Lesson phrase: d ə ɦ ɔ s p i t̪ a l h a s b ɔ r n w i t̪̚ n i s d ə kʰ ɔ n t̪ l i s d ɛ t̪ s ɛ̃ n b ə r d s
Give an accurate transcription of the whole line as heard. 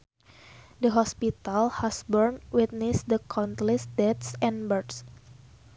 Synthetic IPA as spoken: d ə ɦ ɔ s p i t̪ a l h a s b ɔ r n w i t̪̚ n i s d ə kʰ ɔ n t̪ l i s d ɛ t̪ s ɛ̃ n b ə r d s